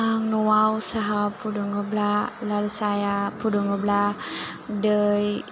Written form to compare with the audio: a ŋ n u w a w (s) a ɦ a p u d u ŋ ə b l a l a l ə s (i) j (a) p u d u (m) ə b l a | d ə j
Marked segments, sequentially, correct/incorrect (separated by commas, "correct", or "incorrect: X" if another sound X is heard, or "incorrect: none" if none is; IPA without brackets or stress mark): correct, incorrect: a, correct, incorrect: ŋ